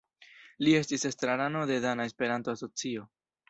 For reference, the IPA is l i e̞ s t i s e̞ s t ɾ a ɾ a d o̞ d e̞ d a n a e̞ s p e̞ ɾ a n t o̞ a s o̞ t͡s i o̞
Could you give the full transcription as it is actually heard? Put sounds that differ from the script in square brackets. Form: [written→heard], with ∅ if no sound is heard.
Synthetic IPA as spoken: l i e̞ s t i s e̞ s t ɾ a ɾ a [d→n] o̞ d e̞ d a n a e̞ s p e̞ ɾ a n t o̞ a s o̞ t͡s i o̞